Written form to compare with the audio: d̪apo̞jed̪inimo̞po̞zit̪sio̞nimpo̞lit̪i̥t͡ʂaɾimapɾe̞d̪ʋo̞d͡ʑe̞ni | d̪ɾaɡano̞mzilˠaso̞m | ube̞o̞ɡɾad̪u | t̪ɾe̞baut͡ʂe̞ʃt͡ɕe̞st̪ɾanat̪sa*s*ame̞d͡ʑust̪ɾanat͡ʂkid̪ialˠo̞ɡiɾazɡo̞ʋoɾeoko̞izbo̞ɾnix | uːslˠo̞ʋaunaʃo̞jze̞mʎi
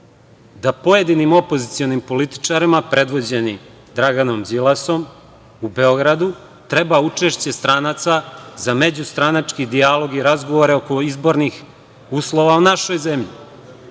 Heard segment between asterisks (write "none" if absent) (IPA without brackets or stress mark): z